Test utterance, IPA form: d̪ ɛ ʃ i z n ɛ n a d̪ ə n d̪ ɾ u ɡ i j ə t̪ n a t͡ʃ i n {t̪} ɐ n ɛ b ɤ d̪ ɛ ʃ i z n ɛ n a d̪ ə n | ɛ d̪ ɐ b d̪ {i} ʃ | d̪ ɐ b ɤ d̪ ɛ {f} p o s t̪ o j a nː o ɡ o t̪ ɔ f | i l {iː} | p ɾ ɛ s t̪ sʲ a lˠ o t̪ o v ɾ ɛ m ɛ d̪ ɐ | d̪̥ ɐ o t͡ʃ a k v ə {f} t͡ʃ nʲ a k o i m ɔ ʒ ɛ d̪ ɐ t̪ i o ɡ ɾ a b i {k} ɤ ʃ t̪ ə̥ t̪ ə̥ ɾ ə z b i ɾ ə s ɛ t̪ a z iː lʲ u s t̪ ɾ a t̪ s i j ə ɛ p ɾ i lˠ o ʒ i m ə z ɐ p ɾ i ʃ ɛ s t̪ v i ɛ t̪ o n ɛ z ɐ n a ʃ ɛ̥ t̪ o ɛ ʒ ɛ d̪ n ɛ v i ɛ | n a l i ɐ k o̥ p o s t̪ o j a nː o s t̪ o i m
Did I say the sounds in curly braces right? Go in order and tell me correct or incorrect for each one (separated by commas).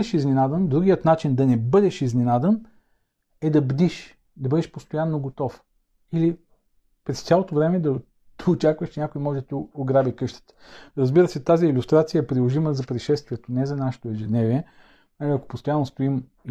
incorrect, correct, incorrect, incorrect, incorrect, correct